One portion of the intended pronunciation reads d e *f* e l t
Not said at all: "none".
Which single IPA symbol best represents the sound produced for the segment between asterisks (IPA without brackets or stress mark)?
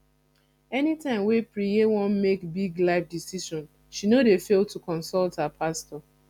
f